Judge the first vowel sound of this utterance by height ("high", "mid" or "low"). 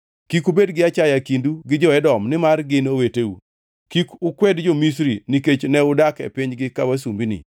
high